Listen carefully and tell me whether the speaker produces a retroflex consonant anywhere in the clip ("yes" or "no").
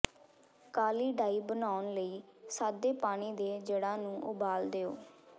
yes